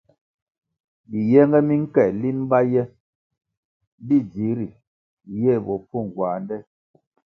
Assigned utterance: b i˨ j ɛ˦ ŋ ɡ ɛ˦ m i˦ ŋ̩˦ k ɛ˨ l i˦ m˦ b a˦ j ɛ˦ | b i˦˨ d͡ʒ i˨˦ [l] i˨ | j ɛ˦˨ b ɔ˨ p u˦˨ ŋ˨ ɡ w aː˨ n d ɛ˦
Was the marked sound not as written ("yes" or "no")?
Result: yes